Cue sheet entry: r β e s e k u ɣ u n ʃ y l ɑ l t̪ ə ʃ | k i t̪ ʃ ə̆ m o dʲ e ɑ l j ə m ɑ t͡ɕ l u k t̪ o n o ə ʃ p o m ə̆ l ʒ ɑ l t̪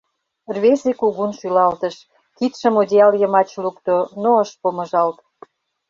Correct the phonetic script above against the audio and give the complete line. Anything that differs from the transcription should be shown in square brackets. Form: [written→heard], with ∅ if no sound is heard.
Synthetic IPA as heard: r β e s e k u ɣ u n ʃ y l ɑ l t̪ ə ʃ | k i t̪ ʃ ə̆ m o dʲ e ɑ l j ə m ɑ t͡ɕ l u k t̪ o n o ə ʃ p o m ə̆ [l→∅] ʒ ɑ l t̪